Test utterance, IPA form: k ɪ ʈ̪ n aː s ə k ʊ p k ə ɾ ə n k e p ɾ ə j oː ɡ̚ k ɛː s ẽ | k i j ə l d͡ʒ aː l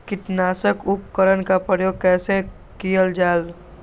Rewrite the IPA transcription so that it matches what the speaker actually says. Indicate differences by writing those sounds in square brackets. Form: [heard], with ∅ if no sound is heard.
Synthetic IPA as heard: k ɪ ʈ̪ n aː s ə k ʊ p k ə ɾ ə n k [a] p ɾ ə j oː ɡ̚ k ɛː s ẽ | k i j ə l d͡ʒ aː l